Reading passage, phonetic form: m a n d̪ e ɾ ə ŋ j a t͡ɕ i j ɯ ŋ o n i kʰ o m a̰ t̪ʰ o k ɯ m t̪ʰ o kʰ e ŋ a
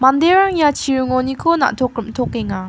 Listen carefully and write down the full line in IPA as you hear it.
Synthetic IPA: m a n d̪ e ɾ a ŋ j a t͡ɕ i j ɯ ŋ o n i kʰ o n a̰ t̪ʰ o k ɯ m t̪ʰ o k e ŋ a